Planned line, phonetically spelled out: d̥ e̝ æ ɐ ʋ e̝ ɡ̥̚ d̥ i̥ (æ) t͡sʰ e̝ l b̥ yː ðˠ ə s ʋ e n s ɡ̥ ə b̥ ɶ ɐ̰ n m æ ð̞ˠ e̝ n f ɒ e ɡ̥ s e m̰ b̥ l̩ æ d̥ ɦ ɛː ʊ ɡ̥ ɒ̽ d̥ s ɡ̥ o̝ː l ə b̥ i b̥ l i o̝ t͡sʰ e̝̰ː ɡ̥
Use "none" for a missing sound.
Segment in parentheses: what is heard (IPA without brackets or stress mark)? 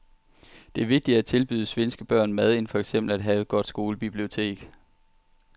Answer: æ